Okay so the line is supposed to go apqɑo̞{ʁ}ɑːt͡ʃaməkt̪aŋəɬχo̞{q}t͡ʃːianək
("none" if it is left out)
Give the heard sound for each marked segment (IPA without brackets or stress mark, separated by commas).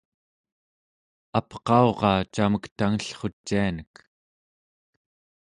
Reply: ʁ, none